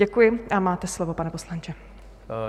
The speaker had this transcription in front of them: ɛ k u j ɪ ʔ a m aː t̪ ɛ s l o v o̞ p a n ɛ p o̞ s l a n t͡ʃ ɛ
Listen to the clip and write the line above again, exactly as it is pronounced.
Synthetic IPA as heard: ɛ k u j ɪ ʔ a m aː t̪ ɛ s l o v o̞ p a n ɛ p o̞ s l a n t͡ʃ ɛ